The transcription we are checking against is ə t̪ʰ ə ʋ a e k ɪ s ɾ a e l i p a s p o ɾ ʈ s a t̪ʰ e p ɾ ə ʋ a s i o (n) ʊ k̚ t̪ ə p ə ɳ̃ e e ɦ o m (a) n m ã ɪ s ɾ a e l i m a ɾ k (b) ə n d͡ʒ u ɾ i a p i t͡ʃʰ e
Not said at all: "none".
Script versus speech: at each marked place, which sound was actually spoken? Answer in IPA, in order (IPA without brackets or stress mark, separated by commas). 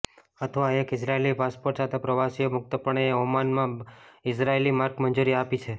m, a, m